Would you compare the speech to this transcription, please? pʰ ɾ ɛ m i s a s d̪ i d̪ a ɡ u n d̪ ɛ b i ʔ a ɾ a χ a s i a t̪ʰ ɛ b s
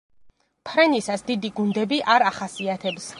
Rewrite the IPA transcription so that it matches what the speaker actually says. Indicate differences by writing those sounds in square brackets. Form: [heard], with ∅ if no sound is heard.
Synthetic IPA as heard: pʰ ɾ ɛ [n] i s a s d̪ i d̪ [i] ɡ u n d̪ ɛ b i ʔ a ɾ a χ a s i a t̪ʰ ɛ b s

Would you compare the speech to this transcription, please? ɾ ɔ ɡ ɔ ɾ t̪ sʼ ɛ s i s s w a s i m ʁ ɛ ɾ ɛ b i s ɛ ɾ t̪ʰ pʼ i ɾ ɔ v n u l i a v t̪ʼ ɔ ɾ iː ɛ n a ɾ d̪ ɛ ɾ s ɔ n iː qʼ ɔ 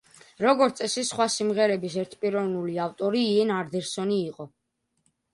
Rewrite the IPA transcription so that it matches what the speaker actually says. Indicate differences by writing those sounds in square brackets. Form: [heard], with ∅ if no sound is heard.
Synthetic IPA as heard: ɾ ɔ ɡ ɔ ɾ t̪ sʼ ɛ s i s [χ] w a s i m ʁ ɛ ɾ ɛ b i s ɛ ɾ t̪ʰ pʼ i ɾ ɔ v n u l i a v t̪ʼ ɔ ɾ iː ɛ n a ɾ d̪ ɛ ɾ s ɔ n iː qʼ ɔ

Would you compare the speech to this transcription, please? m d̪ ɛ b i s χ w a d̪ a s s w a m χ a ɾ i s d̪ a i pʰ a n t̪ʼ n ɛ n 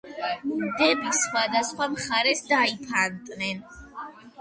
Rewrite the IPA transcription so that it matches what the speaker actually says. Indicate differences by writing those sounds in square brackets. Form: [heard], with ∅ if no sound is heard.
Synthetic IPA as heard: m d̪ ɛ b i s χ w a d̪ a s [χ] w a m χ a ɾ [ɛ] s d̪ a i pʰ a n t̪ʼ n ɛ n

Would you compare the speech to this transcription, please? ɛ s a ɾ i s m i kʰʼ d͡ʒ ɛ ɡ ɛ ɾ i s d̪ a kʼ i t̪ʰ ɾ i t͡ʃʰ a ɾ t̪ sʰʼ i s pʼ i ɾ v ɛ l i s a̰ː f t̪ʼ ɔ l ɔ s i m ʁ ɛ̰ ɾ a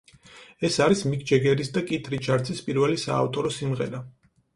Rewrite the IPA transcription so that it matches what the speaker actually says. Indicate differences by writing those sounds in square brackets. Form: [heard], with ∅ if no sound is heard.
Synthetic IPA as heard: ɛ s a ɾ i s m i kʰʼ d͡ʒ ɛ ɡ ɛ ɾ i s d̪ a kʼ i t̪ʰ ɾ i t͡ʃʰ a ɾ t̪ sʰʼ i s pʼ i ɾ v ɛ l i s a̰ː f t̪ʼ ɔ [ɾ] ɔ s i m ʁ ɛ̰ ɾ a

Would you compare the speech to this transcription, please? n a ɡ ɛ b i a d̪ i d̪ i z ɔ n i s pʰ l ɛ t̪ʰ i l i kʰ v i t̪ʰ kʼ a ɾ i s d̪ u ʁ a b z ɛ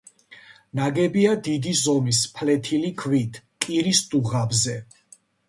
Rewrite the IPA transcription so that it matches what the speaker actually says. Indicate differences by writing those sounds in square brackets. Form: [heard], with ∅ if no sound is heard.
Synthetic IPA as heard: n a ɡ ɛ b i a d̪ i d̪ i z ɔ [m] i s pʰ l ɛ t̪ʰ i l i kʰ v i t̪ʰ kʼ [i] ɾ i s d̪ u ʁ a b z ɛ

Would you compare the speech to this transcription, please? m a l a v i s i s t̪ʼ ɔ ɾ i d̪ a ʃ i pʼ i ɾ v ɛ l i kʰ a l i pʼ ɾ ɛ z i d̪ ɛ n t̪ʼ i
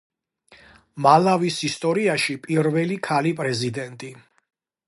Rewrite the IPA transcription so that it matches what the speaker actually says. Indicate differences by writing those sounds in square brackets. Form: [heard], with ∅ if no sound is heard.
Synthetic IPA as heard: m a l a v i s i s t̪ʼ ɔ ɾ i [∅] a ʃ i pʼ i ɾ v ɛ l i kʰ a l i pʼ ɾ ɛ z i d̪ ɛ n t̪ʼ i

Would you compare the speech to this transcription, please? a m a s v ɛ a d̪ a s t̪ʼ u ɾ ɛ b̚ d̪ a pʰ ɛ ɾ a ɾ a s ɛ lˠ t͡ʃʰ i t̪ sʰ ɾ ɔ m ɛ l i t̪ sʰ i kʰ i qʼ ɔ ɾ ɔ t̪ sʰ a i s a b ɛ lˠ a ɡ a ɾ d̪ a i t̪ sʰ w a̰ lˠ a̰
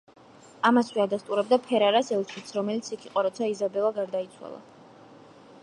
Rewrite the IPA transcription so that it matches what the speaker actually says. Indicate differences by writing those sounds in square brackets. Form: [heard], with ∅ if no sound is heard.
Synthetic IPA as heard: a m a s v ɛ a d̪ a s t̪ʼ u ɾ ɛ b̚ d̪ a pʰ ɛ ɾ a ɾ a s ɛ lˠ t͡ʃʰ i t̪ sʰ ɾ ɔ m ɛ l i t̪ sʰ i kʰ i qʼ ɔ ɾ ɔ t̪ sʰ a i [z] a b ɛ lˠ a ɡ a ɾ d̪ a i t̪ sʰ w a̰ lˠ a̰

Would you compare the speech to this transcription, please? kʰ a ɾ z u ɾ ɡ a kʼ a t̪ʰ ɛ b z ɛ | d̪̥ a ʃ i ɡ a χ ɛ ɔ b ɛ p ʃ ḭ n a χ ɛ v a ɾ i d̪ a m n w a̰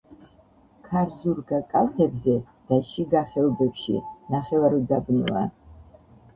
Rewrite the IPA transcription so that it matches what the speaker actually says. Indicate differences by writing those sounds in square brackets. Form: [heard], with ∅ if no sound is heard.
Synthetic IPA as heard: kʰ a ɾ z u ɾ ɡ a kʼ a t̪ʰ ɛ b z ɛ | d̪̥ a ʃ i ɡ a χ ɛ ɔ b ɛ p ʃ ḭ n a χ ɛ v a ɾ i d̪ a [b] n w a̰

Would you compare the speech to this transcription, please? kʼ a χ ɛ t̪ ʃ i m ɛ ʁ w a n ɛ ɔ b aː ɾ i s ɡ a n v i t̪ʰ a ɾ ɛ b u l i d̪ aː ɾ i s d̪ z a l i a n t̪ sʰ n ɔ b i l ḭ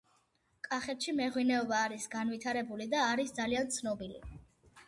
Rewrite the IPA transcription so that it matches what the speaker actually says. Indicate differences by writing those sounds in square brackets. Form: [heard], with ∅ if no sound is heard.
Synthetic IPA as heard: kʼ a χ ɛ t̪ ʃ i m ɛ ʁ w [i] n ɛ ɔ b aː ɾ i s ɡ a n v i t̪ʰ a ɾ ɛ b u l i d̪ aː ɾ i s d̪ z a l i a n t̪ sʰ n ɔ b i l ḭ

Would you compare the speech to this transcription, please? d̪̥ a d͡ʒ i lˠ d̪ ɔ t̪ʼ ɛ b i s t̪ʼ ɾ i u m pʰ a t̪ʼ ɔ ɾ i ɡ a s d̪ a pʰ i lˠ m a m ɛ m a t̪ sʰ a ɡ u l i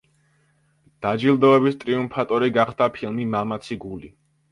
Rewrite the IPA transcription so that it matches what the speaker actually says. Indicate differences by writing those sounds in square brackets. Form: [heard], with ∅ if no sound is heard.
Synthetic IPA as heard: d̪̥ a d͡ʒ i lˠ d̪ ɔ [∅] ɛ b i s t̪ʼ ɾ i u m pʰ a t̪ʼ ɔ ɾ i ɡ a [χ] d̪ a pʰ i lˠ m [i] m [a] m a t̪ sʰ [i] ɡ u l i

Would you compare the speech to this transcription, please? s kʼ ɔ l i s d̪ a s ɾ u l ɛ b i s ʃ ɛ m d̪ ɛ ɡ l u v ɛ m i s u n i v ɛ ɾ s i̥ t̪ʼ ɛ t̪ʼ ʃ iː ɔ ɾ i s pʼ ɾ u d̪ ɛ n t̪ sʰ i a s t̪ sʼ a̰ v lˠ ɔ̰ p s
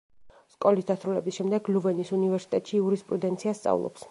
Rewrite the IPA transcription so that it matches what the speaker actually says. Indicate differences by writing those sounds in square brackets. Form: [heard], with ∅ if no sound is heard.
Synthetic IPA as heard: s kʼ ɔ l i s d̪ a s ɾ u l ɛ b i s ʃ ɛ m d̪ ɛ ɡ l u v ɛ [n] i s u n i v ɛ ɾ s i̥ t̪ʼ ɛ t̪ʼ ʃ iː [u] ɾ i s pʼ ɾ u d̪ ɛ n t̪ sʰ i a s t̪ sʼ a̰ v lˠ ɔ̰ p s

